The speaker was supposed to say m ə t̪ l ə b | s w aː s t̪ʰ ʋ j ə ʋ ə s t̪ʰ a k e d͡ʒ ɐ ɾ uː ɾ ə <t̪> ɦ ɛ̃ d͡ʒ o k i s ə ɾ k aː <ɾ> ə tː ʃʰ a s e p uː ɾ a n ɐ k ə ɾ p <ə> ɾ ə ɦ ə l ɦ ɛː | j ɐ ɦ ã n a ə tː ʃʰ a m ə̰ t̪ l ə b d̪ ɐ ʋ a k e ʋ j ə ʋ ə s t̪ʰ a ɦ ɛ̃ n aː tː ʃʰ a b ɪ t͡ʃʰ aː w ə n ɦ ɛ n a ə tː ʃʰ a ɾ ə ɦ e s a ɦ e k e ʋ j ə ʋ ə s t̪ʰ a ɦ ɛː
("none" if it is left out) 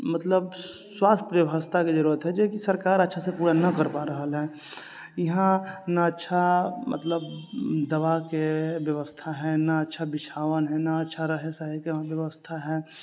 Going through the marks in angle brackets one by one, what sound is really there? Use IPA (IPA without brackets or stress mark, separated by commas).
t̪, ɾ, a